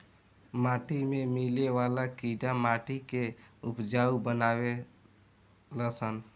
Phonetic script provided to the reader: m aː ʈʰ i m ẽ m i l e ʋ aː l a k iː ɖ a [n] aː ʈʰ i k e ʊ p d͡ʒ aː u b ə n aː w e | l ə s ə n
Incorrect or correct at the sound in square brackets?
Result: incorrect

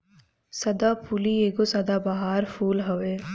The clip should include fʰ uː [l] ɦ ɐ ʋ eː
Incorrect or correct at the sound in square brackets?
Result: correct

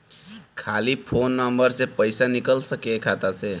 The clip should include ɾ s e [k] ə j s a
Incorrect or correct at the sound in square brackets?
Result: incorrect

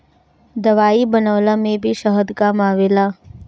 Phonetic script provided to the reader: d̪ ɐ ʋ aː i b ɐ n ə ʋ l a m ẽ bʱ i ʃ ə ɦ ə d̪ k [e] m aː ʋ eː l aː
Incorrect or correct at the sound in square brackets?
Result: incorrect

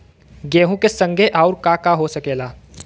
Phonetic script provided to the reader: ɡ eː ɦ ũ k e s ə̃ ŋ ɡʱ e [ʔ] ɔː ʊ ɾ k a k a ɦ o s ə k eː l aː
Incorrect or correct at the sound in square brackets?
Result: correct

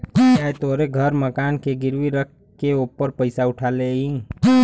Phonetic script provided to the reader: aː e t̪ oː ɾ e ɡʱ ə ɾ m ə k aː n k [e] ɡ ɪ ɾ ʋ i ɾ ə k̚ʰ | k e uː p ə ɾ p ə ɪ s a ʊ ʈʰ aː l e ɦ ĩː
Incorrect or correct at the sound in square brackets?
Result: correct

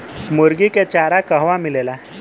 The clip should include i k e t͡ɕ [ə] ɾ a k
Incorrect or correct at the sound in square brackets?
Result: incorrect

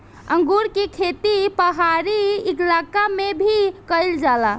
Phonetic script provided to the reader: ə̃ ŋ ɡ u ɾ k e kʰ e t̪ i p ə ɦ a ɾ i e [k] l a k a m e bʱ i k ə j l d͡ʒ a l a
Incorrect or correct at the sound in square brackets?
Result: correct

